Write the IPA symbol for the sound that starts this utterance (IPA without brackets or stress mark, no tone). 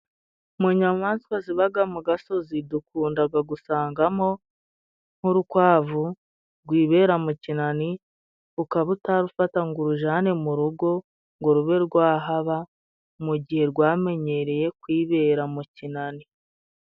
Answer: m